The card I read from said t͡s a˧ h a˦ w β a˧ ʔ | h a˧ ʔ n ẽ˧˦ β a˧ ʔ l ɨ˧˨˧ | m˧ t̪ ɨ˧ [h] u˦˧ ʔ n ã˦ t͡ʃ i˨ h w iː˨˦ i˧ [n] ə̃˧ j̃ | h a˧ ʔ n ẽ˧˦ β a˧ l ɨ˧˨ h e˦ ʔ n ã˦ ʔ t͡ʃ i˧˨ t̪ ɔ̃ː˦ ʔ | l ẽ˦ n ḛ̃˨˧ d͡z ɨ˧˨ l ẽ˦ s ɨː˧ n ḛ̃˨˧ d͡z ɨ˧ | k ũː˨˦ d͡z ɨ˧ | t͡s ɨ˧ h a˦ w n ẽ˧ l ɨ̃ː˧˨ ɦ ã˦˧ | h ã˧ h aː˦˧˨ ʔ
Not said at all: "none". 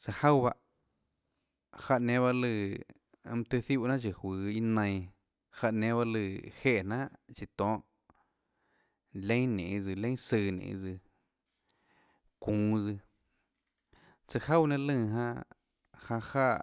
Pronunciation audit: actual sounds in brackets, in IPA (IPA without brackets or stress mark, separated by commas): θ, n